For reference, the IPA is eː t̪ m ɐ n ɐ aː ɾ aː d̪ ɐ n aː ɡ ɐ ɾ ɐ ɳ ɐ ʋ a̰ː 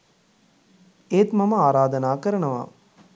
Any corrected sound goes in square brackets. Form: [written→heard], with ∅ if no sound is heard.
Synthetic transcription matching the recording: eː t̪ m ɐ [n→m] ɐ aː ɾ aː d̪ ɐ n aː [ɡ→k] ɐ ɾ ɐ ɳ ɐ ʋ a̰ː